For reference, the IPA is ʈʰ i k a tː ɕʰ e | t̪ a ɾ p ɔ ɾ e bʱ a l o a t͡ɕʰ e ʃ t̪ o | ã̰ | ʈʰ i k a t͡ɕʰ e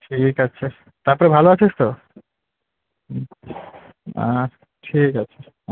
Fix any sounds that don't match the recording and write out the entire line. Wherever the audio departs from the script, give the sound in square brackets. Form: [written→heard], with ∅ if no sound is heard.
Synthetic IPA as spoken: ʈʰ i k a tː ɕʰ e | t̪ a ɾ p ɔ ɾ e bʱ a l o a t͡ɕʰ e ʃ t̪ o | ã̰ | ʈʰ i k a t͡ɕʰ e